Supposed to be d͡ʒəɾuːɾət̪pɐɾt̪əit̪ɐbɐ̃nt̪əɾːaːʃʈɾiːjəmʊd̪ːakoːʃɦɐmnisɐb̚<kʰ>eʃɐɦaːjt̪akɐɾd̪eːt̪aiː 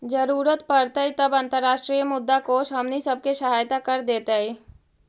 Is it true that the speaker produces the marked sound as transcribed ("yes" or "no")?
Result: no